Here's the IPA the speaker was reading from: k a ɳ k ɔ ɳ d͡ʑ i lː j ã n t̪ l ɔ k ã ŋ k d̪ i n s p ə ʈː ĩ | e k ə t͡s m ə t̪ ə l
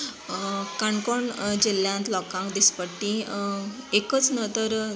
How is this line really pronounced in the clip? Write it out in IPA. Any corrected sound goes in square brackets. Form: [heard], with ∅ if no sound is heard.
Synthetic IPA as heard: k a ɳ k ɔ ɳ d͡ʑ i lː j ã n t̪ l ɔ k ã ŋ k d̪ i [∅] s p ə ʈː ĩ | e k ə t͡s [n] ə t̪ ə [ɾ]